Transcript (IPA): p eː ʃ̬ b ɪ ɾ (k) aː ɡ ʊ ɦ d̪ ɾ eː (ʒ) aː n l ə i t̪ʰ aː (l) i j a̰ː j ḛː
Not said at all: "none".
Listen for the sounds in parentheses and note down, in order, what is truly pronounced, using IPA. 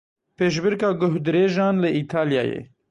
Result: k, ʒ, l

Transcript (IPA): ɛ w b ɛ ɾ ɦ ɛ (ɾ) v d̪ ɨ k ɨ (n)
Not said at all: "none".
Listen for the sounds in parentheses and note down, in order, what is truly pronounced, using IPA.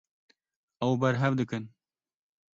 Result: none, n

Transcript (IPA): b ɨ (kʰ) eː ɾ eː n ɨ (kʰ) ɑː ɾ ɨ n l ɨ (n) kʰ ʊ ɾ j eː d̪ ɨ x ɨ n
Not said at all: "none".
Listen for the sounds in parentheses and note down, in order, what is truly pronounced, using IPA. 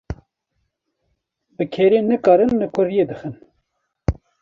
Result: kʰ, k, none

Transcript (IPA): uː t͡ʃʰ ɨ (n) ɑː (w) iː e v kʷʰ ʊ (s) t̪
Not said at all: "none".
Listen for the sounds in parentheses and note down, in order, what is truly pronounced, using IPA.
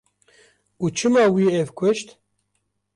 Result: m, w, ʃ

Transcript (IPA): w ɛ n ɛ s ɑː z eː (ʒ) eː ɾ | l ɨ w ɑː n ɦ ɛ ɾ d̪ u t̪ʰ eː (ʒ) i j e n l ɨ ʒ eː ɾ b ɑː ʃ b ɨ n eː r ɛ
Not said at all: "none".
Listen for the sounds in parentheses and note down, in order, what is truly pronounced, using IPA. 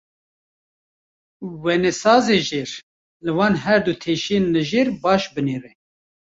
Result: ʒ, ʃ

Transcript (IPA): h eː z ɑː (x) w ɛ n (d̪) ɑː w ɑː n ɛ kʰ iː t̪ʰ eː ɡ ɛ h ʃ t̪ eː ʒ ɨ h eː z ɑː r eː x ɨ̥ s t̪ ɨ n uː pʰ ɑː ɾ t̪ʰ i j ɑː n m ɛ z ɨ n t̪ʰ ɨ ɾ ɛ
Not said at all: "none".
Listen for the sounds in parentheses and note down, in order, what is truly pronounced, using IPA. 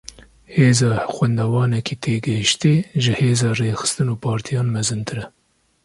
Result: x, d̪

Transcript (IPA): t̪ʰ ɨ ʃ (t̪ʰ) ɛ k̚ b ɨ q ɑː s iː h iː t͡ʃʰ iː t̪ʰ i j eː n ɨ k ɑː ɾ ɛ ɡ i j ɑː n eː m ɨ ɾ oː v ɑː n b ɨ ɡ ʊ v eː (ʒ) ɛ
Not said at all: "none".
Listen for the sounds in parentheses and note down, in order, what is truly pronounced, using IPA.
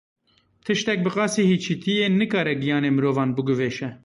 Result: t̪, ʃ

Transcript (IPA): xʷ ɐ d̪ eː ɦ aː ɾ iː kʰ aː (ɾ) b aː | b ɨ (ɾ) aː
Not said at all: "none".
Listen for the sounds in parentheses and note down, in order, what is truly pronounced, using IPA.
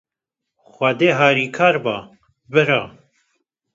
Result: ɾ, ɾ

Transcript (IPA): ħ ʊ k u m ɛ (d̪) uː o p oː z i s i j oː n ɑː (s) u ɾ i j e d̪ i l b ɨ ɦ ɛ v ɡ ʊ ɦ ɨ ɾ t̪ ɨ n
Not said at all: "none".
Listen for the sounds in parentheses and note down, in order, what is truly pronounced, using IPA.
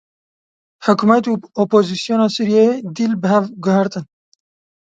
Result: t̪, s

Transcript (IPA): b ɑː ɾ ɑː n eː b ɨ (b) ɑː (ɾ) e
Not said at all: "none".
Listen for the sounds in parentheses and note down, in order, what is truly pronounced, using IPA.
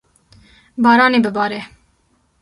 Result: b, ɾ

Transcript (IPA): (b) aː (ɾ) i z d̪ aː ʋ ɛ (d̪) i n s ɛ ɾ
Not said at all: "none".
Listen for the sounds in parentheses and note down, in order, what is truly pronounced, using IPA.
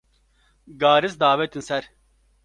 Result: ɡ, ɾ, t̪

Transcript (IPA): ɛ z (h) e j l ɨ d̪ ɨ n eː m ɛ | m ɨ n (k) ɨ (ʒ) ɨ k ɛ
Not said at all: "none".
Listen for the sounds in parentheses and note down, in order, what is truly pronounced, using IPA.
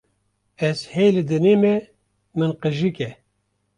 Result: h, q, ʒ

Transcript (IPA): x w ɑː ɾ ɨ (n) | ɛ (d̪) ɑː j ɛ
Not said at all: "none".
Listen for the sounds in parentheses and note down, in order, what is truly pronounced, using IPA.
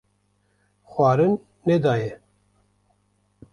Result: nː, d̪

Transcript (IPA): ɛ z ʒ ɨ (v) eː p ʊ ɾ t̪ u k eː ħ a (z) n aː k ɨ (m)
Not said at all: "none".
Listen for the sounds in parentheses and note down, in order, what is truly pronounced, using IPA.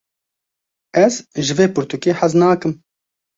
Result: v, z, m

